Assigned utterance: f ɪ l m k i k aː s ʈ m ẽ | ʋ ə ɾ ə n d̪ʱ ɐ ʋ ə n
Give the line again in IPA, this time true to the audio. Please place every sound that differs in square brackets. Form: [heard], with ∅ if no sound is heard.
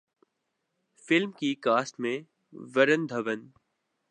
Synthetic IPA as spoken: f ɪ l m k i k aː s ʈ m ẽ | ʋ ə ɾ ə n d̪ʱ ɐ ʋ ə n